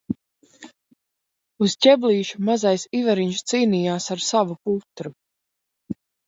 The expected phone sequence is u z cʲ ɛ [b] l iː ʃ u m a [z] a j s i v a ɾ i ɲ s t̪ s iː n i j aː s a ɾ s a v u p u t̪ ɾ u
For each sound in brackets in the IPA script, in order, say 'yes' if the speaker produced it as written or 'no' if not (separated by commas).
yes, yes